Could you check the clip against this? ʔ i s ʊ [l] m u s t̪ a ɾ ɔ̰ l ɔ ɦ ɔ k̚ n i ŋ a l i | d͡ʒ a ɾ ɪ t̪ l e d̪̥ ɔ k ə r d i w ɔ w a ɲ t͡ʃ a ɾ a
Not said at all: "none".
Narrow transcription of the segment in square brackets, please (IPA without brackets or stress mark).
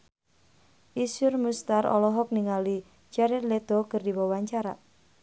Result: r